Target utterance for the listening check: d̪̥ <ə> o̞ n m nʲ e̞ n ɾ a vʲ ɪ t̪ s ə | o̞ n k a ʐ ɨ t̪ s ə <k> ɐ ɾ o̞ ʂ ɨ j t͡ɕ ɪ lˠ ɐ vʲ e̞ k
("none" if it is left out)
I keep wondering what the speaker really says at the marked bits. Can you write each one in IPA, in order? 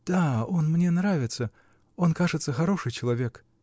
a, x

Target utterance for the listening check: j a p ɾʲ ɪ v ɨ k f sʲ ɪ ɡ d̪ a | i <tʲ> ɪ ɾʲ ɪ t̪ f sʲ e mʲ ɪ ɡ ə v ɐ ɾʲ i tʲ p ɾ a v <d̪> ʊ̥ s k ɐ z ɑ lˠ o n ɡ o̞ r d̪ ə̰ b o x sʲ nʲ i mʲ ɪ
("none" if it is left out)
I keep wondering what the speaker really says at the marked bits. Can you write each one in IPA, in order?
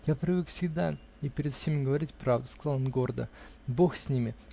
pʲ, d̪

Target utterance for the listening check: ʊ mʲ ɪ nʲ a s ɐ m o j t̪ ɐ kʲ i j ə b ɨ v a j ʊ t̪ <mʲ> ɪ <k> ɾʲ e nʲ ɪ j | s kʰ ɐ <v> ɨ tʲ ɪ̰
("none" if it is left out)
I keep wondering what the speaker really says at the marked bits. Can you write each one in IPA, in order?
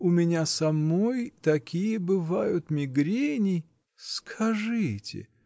mʲ, ɡ, ʐ

